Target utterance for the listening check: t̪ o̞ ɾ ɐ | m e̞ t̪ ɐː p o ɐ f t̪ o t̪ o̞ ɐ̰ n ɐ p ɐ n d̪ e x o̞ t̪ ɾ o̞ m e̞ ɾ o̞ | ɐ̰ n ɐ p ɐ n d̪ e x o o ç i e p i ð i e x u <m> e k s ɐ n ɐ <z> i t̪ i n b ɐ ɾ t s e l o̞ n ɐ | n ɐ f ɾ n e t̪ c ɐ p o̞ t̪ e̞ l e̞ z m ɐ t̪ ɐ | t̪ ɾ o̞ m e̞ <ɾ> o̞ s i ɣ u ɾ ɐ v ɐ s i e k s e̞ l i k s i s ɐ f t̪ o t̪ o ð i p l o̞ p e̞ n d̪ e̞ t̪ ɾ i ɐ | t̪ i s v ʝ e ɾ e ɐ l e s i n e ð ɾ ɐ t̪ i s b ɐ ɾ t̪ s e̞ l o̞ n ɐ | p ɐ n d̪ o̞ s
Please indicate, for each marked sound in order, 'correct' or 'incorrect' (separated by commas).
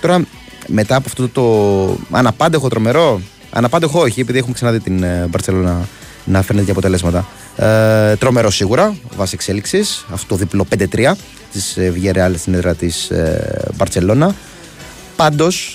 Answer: correct, incorrect, correct